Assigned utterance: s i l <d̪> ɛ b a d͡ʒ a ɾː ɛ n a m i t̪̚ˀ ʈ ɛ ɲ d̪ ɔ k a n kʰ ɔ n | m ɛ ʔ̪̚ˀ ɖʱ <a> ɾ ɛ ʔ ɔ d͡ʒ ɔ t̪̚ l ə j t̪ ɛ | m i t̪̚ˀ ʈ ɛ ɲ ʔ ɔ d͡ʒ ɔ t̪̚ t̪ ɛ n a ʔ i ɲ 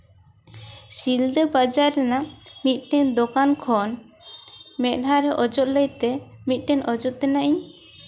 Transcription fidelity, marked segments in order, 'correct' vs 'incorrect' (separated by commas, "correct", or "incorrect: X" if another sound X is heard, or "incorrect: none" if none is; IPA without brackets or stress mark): correct, correct